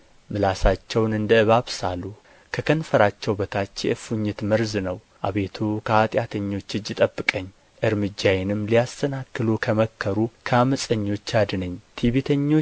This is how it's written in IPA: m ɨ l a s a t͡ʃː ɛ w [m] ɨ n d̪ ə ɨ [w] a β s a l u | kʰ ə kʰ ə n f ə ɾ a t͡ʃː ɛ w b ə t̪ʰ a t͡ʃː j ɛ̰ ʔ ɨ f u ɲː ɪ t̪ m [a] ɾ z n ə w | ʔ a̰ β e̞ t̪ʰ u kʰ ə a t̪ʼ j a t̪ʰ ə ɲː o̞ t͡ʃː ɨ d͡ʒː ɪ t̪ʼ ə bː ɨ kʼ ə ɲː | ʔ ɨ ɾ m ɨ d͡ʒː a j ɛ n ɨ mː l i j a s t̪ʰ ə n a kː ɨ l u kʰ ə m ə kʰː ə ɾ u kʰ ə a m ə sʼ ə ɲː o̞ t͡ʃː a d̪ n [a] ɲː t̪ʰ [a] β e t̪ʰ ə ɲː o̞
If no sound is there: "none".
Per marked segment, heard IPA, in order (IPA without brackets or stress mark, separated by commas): n, β, ə, ə, i